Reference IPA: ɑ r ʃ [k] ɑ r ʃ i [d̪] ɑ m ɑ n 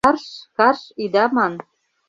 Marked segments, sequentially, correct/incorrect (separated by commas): correct, correct